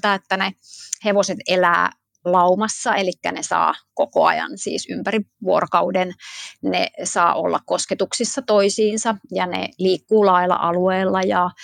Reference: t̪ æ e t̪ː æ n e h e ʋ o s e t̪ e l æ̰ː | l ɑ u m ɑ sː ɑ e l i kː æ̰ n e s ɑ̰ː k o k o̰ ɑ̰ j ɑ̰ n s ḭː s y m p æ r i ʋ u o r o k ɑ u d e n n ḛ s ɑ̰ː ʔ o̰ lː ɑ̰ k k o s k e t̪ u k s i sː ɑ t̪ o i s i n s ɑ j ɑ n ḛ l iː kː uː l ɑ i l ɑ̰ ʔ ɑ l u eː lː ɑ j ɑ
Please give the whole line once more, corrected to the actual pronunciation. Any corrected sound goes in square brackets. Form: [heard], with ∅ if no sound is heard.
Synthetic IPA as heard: t̪ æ e t̪ː æ n e h e ʋ o s e t̪ e l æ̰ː | l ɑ u m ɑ sː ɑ e l i kː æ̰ n e s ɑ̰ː k o k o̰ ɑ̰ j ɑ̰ n s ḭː s y m p æ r i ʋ u o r o k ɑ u d e n n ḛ s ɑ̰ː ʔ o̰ lː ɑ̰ k k o s k e t̪ u k s i sː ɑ t̪ o i s [iː] n s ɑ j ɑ n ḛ l iː kː uː l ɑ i l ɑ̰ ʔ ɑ l u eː lː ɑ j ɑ